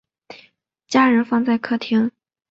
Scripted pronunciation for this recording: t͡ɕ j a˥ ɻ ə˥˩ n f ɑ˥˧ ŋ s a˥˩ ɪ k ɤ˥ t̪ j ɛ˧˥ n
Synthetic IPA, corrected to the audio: t͡ɕ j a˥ ɻ ə˧˥ n f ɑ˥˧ ŋ t͡s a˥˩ ɪ kʰ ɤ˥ t̪ʰ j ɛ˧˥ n